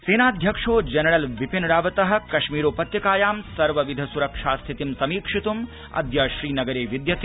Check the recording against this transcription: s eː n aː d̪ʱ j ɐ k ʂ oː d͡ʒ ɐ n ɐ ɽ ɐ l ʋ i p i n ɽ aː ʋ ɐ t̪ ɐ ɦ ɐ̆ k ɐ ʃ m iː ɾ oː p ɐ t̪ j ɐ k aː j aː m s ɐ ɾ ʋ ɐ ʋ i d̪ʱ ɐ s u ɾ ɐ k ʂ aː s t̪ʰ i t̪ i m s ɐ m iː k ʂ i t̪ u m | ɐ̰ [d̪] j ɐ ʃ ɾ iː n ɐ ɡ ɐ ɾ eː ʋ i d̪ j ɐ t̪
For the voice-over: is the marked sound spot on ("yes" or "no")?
yes